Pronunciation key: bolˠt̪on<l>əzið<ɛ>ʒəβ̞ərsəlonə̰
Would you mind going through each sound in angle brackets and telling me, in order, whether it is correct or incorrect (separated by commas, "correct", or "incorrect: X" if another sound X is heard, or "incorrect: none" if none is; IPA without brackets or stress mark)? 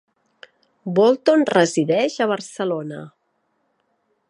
incorrect: r, correct